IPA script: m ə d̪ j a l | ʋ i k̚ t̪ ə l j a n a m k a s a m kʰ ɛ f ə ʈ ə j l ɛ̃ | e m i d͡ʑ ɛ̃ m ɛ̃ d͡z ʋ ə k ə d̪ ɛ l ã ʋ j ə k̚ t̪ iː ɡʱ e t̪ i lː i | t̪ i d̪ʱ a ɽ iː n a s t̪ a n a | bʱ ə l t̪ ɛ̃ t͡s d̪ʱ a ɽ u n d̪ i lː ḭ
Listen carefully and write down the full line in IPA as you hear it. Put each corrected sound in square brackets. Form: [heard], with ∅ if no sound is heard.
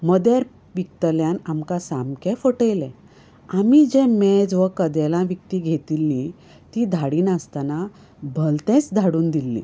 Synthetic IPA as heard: m ə d̪ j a [ɾ] | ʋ i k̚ t̪ ə l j a n a m k a s a m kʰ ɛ f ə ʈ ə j l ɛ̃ | [a] m i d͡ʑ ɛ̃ m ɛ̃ d͡z ʋ ə k ə d̪ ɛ l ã ʋ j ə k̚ t̪ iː ɡʱ e t̪ i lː i | t̪ i d̪ʱ a ɽ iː n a s t̪ a n a | bʱ ə l t̪ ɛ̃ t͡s d̪ʱ a ɽ [uː] n d̪ i lː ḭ